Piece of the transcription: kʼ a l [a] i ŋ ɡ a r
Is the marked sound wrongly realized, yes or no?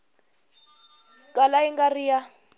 no